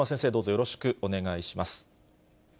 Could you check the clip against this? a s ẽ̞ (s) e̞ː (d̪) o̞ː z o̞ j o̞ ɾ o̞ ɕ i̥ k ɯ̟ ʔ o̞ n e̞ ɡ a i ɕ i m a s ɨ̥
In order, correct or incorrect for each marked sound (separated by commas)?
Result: correct, correct